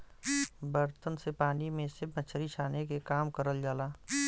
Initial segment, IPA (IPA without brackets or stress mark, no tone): b